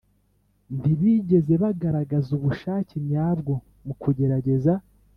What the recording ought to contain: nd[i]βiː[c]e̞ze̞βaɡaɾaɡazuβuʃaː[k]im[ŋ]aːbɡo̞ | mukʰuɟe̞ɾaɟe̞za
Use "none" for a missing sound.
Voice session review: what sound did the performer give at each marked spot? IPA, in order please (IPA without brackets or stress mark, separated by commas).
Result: i, ɟ, c, ɲ